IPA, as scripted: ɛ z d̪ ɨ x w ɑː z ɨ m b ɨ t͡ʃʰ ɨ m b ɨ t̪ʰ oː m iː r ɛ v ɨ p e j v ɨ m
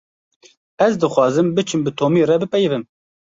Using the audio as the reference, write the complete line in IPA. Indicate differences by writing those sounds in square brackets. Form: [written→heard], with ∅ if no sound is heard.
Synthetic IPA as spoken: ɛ z d̪ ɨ x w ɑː z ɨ m b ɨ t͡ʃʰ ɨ m b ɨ t̪ʰ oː m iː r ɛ [v→b] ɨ p [e→ɛ] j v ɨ m